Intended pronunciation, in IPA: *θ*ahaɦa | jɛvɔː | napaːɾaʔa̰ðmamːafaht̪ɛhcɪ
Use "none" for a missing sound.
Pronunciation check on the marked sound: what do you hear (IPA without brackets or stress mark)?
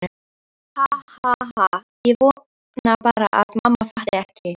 h